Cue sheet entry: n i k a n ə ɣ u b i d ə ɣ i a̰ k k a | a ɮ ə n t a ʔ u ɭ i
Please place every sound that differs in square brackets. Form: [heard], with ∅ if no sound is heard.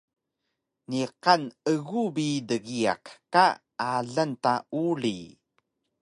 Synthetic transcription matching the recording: n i [q] a n ə ɣ u b i d ə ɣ i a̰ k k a | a ɮ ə n t a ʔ u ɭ i